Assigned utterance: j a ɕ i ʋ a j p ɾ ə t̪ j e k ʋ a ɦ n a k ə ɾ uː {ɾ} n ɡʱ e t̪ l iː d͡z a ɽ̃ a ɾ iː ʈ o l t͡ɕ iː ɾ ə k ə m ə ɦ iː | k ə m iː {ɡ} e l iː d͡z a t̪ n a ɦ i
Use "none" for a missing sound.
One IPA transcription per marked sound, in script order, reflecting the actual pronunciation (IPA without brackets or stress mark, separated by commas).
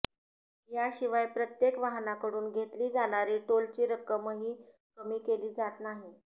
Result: none, k